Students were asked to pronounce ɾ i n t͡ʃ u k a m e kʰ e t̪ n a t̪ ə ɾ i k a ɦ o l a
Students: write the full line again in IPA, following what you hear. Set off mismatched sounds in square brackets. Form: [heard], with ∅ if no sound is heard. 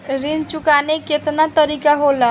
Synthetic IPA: ɾ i n t͡ʃ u k a [n] e [k] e t̪ n a t̪ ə ɾ i k a ɦ o l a